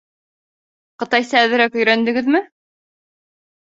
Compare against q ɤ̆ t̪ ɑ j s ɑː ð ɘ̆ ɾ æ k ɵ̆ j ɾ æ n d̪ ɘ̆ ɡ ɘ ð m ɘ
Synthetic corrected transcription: q ɤ̆ t̪ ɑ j s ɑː ð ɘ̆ ɾ æ k ɵ̆ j ɾ æ n d̪ ɘ̆ ɡ ɘ ð m ɘ